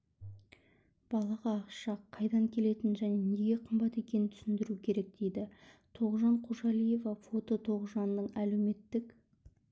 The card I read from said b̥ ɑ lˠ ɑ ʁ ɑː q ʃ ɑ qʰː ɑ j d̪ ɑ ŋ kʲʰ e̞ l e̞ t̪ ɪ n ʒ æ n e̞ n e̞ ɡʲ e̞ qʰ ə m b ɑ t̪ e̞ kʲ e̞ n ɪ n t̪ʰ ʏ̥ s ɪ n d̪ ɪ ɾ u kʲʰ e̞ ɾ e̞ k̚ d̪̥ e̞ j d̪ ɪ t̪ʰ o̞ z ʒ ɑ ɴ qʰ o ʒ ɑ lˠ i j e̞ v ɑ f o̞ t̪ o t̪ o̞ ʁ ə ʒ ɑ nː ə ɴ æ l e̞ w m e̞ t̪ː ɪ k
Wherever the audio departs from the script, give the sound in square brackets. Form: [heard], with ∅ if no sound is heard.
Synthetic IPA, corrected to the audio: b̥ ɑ lˠ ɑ ʁ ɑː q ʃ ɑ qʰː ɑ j d̪ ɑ ŋ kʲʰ e̞ l e̞ t̪ ɪ n ʒ æ n e̞ n e̞ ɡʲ e̞ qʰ ə m b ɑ t̪ e̞ kʲ e̞ n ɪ n t̪ʰ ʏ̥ s ɪ n d̪ ɪ ɾ u kʲʰ e̞ ɾ e̞ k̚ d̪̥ e̞ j d̪ ɪ t̪ʰ o̞ [ʁ] ʒ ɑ ɴ qʰ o ʒ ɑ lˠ i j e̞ v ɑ f o̞ t̪ o [t̪ʰ] o̞ ʁ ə ʒ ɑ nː ə ɴ æ l e̞ w m e̞ t̪ː ɪ k